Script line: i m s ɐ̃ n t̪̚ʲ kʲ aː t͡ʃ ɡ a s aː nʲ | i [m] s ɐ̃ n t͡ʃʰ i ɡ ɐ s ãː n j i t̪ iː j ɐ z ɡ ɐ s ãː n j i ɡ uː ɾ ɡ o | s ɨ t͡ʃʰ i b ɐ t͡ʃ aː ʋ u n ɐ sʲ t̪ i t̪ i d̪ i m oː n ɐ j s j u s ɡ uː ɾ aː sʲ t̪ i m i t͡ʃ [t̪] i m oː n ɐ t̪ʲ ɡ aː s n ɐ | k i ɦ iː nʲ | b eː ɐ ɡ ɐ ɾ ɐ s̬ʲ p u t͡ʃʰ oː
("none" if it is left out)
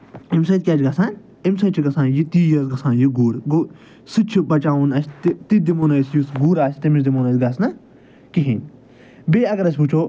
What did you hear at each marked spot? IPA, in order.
m, d̪

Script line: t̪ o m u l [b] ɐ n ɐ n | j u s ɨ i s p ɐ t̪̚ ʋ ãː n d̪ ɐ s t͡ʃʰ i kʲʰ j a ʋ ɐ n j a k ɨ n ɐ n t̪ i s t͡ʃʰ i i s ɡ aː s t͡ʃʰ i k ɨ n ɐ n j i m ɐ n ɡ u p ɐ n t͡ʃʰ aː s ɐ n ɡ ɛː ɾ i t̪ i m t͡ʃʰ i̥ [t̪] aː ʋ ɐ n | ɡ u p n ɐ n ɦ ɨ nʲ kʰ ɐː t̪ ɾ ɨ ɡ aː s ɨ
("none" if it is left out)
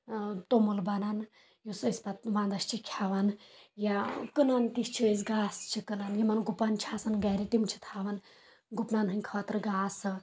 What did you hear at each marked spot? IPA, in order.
b, t̪ʰ

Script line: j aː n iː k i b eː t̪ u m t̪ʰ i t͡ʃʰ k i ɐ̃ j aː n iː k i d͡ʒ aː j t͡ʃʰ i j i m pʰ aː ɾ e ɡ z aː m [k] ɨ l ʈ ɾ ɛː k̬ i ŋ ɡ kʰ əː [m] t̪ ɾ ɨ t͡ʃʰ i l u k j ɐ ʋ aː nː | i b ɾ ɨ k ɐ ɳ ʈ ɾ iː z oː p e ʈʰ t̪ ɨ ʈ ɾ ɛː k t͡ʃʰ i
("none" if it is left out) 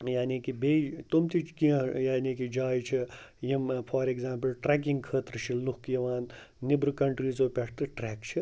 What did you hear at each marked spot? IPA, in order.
p, none

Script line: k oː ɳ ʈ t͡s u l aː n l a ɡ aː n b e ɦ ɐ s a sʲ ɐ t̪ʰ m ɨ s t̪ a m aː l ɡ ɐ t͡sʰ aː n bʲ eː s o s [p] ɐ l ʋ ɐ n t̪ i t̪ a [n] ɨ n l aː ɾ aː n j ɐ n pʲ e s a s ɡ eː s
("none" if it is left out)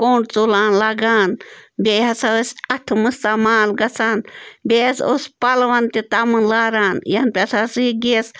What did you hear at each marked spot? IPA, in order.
p, m

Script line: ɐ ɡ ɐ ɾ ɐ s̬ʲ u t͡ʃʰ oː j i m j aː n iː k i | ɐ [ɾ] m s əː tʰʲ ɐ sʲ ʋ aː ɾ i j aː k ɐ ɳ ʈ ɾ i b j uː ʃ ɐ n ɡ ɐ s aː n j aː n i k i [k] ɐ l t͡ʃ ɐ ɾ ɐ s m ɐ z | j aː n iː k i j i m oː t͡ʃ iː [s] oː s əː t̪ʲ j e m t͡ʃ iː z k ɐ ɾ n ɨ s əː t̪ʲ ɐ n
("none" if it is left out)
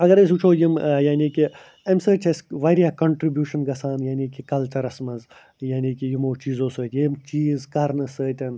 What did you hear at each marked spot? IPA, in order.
none, k, z

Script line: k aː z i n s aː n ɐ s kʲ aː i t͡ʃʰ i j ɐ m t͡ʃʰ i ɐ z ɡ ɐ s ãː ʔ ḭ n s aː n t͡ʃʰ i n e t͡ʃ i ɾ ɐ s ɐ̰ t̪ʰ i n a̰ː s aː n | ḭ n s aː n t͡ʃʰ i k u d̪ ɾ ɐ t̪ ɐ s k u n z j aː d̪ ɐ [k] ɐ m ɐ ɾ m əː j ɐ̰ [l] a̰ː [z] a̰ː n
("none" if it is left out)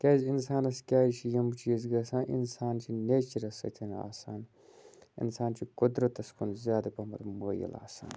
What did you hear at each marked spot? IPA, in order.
p, l, s

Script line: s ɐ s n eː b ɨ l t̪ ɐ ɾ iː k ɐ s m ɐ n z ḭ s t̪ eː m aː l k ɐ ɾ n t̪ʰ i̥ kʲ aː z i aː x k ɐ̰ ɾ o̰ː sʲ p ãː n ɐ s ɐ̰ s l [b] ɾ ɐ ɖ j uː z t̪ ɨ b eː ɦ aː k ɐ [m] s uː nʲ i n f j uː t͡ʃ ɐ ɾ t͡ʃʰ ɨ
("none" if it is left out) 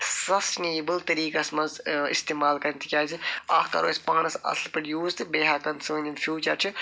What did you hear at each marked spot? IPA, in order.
p, n

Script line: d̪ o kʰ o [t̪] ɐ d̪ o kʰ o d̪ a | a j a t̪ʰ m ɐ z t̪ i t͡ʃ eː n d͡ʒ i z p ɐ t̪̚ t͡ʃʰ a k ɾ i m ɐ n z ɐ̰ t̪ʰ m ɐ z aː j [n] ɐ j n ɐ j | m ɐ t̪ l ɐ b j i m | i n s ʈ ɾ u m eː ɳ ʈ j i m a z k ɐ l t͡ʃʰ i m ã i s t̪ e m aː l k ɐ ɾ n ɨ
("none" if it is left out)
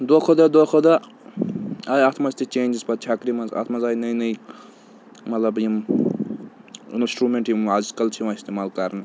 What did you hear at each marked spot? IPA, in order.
d̪, n

